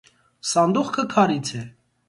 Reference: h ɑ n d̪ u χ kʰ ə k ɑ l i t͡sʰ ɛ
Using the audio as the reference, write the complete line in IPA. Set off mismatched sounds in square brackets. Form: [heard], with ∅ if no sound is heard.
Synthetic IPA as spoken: [s] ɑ n d̪ u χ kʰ ə [kʰ] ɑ [ɾ] i t͡sʰ ɛ